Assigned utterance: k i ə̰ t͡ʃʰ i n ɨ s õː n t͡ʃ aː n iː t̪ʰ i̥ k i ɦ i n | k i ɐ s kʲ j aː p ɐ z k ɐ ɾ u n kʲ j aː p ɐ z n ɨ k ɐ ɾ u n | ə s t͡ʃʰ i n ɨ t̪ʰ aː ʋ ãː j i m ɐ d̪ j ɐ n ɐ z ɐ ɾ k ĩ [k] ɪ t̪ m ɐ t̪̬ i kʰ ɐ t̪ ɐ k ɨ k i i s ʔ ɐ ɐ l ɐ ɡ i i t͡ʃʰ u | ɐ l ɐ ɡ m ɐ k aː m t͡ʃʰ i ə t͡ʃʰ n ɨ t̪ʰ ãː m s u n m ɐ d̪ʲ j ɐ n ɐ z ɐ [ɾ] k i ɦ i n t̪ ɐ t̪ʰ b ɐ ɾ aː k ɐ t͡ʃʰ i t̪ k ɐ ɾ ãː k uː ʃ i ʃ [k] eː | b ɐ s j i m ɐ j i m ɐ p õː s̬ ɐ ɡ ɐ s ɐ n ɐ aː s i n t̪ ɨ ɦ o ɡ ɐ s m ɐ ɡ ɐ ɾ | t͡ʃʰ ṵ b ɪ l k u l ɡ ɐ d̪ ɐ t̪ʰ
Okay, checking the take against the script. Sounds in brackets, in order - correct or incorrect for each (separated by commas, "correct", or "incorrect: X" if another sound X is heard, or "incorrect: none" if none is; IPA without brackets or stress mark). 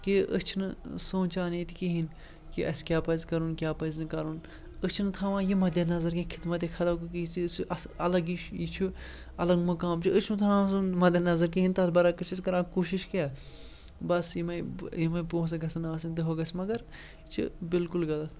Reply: incorrect: kʰ, correct, correct